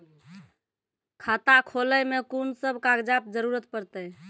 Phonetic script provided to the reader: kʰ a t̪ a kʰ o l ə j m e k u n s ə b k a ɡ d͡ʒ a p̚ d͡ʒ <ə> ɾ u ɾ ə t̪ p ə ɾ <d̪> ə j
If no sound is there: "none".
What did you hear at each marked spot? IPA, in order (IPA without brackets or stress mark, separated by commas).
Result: ə, t̪